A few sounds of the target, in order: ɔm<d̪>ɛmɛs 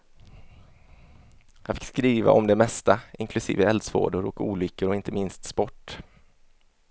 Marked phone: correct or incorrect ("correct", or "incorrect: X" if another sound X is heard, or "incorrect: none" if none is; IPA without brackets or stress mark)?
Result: correct